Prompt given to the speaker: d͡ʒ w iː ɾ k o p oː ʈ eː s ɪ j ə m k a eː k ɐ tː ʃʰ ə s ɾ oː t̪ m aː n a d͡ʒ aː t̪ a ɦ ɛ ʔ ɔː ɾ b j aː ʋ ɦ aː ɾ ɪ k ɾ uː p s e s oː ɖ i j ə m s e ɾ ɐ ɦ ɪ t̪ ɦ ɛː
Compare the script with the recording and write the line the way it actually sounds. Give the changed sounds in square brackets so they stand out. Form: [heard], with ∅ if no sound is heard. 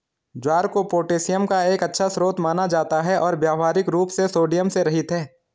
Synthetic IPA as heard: d͡ʒ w [aː] ɾ k o p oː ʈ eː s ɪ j ə m k a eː k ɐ tː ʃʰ [a] s ɾ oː t̪ m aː n a d͡ʒ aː t̪ a ɦ ɛ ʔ ɔː ɾ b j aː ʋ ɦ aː ɾ ɪ k ɾ uː p s e s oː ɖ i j ə m s e ɾ ɐ ɦ ɪ t̪ ɦ ɛː